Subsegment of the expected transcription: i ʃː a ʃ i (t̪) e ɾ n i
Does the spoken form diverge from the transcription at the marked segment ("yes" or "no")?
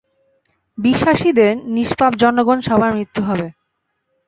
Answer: yes